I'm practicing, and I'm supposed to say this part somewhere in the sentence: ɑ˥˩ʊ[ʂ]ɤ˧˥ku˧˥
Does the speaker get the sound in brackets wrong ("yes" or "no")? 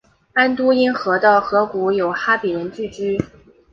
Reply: yes